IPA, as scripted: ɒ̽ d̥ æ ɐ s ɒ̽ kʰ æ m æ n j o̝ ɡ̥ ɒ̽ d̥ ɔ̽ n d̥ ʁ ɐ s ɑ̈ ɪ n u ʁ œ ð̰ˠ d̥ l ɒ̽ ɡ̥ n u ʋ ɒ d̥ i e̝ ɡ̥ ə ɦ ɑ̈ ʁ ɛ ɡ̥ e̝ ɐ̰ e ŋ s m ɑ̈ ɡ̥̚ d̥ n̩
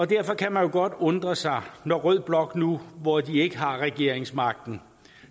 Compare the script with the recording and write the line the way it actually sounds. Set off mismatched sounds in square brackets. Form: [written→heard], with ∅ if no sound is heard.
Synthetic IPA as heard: ɒ̽ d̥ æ ɐ [s→f] ɒ̽ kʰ æ m æ n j o̝ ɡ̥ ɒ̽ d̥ ɔ̽ n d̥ ʁ ɐ s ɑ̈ ɪ n [u→ɒ] ʁ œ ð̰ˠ [d̥→b̥] l ɒ̽ ɡ̥ n u ʋ ɒ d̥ i e̝ ɡ̥ ə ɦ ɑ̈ ʁ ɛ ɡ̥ e̝ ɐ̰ e ŋ s m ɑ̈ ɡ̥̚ d̥ n̩